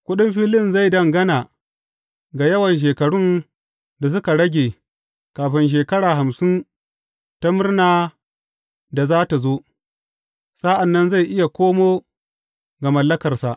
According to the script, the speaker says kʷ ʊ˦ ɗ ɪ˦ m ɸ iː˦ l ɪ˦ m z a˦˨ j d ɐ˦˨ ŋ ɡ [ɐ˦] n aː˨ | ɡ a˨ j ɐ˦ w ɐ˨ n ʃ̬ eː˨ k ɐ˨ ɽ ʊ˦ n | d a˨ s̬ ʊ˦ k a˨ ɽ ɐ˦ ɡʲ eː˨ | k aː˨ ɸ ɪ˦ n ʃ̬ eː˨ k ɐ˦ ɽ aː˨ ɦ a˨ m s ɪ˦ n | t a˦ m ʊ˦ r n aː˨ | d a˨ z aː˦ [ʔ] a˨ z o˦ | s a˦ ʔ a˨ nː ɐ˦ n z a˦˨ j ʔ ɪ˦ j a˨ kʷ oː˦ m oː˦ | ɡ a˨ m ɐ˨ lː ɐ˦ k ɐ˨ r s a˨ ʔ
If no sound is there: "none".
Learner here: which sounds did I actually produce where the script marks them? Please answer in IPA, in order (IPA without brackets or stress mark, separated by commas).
ɐ˦, t